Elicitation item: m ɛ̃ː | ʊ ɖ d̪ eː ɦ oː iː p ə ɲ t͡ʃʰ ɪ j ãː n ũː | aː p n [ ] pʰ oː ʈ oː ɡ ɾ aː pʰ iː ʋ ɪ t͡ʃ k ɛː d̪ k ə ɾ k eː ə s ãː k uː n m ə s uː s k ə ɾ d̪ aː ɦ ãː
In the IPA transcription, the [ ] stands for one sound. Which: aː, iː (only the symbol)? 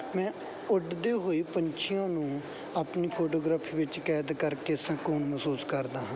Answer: iː